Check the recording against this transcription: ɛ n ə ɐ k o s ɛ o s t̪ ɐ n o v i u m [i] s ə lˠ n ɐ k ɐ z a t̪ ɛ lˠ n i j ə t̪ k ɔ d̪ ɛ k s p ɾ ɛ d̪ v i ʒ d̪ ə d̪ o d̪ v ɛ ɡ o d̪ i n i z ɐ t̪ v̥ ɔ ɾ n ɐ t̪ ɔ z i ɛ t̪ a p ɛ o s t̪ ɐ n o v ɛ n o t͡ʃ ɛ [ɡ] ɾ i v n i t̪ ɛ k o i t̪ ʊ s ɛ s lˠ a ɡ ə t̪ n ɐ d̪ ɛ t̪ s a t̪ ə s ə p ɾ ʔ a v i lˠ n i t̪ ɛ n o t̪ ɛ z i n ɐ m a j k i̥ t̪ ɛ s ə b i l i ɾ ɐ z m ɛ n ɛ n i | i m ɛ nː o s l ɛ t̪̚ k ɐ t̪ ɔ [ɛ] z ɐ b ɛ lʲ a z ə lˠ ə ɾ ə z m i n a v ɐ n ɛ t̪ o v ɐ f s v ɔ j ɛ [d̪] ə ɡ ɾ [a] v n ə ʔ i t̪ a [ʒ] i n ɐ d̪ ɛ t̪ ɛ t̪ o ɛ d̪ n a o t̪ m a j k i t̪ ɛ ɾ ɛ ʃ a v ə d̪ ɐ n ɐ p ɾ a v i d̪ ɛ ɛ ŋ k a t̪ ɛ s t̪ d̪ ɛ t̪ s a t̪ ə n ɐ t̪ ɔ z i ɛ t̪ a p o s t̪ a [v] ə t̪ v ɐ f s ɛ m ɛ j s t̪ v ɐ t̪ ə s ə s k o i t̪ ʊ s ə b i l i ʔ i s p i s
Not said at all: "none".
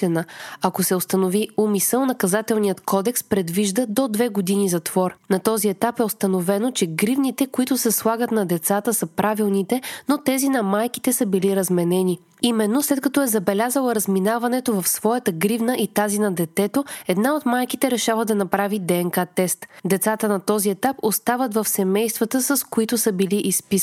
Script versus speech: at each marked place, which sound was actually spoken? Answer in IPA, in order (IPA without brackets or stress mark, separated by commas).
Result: i, ɡ, ɛ, t̪, i, z, v